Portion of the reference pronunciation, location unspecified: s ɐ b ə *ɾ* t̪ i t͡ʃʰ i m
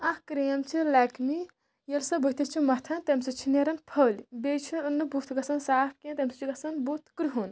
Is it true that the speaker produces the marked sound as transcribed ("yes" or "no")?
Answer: no